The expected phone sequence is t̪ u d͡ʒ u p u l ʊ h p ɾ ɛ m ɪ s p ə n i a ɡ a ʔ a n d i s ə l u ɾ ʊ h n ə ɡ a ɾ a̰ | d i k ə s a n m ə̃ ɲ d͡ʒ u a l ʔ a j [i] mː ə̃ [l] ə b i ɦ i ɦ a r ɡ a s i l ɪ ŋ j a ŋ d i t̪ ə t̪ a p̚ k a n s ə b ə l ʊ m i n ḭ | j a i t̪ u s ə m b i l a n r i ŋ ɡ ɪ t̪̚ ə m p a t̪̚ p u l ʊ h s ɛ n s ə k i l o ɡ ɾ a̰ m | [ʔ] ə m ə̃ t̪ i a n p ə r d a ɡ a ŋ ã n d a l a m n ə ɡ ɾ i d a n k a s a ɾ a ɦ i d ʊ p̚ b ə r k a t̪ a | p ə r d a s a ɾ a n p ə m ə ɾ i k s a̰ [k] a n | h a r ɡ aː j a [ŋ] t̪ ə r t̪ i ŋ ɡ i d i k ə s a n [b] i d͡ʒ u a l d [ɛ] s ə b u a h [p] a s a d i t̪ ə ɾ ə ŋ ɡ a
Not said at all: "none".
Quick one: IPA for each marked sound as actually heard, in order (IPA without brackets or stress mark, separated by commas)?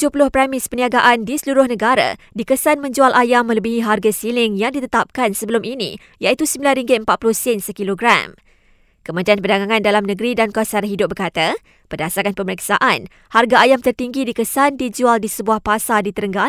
a, l, k, ʔ, m, d, i, p